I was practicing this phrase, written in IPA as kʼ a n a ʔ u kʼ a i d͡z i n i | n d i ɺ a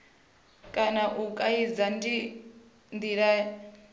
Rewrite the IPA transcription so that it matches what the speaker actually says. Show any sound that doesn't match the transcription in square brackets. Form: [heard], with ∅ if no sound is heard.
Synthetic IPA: kʼ a n a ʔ u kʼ a i d͡z [a] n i | n d i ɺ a